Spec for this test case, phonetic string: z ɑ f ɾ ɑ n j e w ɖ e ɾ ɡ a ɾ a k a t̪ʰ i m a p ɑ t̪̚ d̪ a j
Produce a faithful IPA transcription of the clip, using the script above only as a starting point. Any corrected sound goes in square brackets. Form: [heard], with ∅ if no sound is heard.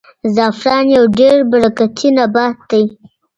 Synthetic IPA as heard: z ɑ f ɾ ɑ n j [a] w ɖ e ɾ [b] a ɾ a k a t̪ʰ i [n] a [b] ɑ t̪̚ d̪ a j